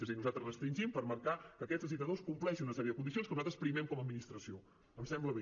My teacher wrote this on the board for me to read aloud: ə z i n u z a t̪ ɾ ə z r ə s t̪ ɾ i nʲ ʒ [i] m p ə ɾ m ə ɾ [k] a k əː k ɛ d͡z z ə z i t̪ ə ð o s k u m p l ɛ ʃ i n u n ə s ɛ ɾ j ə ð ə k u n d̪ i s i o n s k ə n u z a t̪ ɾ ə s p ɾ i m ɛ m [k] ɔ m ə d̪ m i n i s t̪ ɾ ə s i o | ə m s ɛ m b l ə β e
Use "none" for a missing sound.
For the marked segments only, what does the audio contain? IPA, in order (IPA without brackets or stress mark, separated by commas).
i, k, k